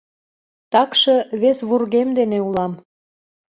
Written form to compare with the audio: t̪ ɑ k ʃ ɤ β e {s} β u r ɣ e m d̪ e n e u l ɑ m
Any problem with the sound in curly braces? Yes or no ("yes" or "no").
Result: no